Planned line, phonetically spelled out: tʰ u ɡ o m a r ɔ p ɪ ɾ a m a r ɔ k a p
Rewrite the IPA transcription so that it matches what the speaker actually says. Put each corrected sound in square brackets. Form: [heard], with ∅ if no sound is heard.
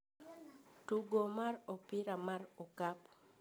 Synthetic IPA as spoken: [t] u ɡ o m a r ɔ p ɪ ɾ a m a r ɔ k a p

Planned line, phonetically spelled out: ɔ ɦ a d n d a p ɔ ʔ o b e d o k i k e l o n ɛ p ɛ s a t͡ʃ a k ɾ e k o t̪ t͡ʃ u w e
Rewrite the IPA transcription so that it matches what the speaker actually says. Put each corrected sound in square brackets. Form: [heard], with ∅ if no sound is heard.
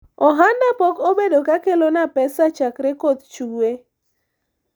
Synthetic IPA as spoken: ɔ ɦ a [∅] n d a p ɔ [k] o b e d o k [a] k e l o n [a] p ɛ s a t͡ʃ a k ɾ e k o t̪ t͡ʃ u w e

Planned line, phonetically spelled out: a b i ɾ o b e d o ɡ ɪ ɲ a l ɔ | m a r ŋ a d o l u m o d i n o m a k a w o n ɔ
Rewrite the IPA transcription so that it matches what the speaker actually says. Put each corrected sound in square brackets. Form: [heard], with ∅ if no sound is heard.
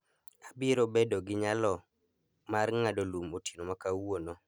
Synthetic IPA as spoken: a b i ɾ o b e d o ɡ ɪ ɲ a l ɔ | m a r ŋ a d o l u m o [t] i n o m a k a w o n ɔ

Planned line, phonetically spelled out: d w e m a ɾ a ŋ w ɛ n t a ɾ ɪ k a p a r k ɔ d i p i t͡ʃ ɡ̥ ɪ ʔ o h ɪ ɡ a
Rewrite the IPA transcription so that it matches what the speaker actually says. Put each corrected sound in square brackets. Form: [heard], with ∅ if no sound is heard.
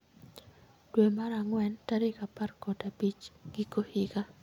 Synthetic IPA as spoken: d w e m a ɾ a ŋ w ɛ n t a ɾ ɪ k a p a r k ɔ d [a] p i t͡ʃ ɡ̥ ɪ [k] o h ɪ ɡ a

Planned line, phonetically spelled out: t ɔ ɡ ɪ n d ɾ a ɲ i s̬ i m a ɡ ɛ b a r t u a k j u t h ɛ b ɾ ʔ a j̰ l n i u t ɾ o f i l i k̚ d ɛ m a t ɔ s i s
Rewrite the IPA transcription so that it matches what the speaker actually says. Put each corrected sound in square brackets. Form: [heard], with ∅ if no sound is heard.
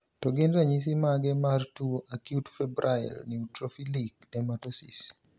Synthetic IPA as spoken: t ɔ ɡ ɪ n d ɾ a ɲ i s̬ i m a ɡ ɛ [m] a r t u a k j u t [f] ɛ b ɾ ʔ a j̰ l n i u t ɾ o f i l i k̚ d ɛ m a t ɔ s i s

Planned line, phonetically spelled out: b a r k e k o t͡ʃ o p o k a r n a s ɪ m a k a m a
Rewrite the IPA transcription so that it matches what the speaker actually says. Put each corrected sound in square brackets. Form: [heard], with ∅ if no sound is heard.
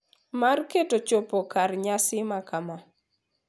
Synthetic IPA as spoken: [m] a r k e [t] o t͡ʃ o p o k a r [ɲ] a s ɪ m a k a m a

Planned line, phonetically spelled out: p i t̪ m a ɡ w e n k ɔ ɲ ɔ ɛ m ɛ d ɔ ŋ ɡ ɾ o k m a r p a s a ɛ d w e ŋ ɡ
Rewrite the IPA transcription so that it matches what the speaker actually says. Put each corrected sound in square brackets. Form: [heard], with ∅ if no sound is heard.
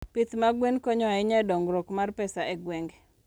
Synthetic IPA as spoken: p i t̪ m a ɡ w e n k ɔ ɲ ɔ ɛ [ɲ] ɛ d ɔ ŋ ɡ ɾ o k m a r p [ɛ] s a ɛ [ɡ] w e ŋ ɡ

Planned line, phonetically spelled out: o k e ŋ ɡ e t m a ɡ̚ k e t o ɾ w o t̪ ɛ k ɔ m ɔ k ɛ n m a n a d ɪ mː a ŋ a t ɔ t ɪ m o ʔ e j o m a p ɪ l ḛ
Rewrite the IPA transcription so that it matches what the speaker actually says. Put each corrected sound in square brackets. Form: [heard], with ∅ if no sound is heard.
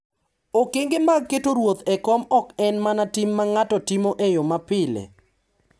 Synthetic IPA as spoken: o k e ŋ ɡ e [∅] m a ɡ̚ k e t o ɾ w o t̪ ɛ k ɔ m ɔ k ɛ n m a n a [t] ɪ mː a ŋ a t ɔ t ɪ m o ʔ e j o m a p ɪ l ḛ

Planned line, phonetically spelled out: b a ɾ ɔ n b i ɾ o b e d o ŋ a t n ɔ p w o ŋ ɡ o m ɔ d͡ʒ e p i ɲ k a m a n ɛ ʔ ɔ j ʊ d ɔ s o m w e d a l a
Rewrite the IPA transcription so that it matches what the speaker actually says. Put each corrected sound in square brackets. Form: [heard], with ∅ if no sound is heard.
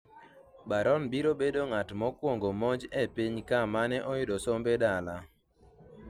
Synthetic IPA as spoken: b a ɾ ɔ n b i ɾ o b e d o ŋ a t [m] ɔ [k] w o ŋ ɡ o m ɔ d͡ʒ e p i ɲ k a m a n ɛ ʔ ɔ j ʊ d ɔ s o m [b] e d a l a

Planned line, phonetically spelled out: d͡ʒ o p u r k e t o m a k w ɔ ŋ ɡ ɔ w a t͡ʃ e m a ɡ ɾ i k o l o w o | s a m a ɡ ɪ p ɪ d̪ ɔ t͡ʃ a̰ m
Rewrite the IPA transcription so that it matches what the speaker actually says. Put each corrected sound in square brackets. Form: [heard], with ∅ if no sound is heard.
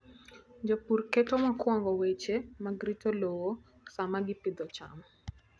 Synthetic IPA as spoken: d͡ʒ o p u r k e t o m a k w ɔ ŋ ɡ ɔ w [e] t͡ʃ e m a ɡ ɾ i [t] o l o w o | s a m a ɡ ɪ p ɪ d̪ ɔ t͡ʃ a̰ m

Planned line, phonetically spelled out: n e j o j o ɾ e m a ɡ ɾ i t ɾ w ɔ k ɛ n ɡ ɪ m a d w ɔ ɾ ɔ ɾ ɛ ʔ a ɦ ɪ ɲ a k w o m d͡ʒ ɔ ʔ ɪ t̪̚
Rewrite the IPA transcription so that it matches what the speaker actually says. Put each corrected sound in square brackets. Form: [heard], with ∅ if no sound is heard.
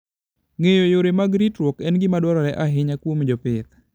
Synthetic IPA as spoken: [ŋ] e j o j o ɾ e m a ɡ ɾ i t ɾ w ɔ k ɛ n ɡ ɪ m a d w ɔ ɾ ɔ ɾ ɛ ʔ a ɦ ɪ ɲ a k w o m d͡ʒ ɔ [p] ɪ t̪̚

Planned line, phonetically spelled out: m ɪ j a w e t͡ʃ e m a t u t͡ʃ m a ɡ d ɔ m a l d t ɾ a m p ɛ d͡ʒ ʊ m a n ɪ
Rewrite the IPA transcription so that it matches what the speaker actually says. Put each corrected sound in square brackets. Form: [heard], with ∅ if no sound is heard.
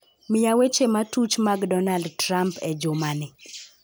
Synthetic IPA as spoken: m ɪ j a w e t͡ʃ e m a t u t͡ʃ m a ɡ d ɔ [n] a l d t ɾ a m p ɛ d͡ʒ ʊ m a n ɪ

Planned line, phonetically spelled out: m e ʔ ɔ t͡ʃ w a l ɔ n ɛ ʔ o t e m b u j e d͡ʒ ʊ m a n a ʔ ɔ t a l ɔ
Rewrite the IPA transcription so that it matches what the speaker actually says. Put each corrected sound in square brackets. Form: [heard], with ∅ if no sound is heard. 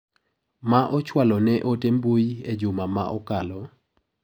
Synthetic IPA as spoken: m [a] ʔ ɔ t͡ʃ w a l ɔ n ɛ ʔ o t e m b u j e d͡ʒ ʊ m a [m] a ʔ ɔ [k] a l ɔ

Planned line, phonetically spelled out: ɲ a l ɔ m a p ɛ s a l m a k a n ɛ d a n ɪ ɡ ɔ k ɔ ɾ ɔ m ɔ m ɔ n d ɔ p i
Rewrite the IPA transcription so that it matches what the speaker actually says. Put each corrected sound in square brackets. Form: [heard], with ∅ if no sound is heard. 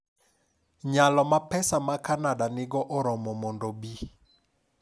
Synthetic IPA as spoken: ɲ a l ɔ m a p ɛ s a [∅] m a k a n [a] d a n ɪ ɡ ɔ [ʔ] ɔ ɾ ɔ m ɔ m ɔ n d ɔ [b] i

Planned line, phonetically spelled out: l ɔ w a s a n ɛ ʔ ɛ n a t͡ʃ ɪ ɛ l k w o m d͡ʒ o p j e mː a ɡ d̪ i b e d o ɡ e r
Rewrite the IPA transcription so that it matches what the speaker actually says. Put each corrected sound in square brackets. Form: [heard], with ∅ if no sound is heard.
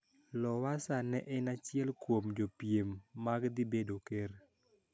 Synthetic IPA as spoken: l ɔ w a s a n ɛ ʔ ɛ n a t͡ʃ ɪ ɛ l k w o m d͡ʒ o p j e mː a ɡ d̪ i b e d o [k] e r

